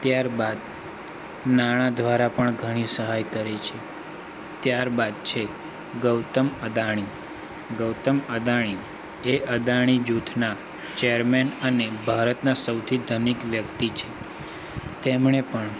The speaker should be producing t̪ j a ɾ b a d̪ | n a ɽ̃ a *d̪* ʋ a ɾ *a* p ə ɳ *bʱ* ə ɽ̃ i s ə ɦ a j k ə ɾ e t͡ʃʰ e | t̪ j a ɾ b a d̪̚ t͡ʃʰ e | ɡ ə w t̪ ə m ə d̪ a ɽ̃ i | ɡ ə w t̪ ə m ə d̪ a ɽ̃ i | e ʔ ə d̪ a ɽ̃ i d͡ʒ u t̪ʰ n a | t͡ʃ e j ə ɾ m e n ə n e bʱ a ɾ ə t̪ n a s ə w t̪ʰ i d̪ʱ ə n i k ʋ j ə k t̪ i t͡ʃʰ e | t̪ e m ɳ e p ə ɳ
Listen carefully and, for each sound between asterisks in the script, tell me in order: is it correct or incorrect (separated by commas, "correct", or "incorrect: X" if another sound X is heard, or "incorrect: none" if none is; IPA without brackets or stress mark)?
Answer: correct, correct, incorrect: ɡʱ